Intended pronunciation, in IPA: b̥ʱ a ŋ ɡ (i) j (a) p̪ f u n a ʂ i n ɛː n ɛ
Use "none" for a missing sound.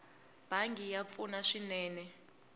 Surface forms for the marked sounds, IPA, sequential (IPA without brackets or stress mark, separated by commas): i, a